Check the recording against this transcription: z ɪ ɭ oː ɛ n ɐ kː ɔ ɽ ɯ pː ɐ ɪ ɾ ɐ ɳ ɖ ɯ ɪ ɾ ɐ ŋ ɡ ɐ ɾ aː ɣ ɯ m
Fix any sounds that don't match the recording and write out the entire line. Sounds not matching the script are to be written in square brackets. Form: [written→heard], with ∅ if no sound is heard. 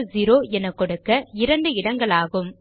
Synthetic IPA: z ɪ [ɭ→ɾ] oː ɛ n ɐ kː ɔ ɽ ɯ [pː→kː] ɐ ɪ ɾ ɐ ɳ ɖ ɯ ɪ [ɾ→ɽ] ɐ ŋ ɡ ɐ [ɾ→ɭ] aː ɣ ɯ m